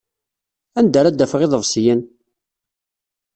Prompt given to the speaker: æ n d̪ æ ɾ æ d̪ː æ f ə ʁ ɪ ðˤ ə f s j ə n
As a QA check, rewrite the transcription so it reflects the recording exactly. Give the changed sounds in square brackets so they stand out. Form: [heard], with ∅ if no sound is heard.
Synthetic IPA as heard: æ n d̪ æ ɾ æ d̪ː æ f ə ʁ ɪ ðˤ ə [v] s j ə n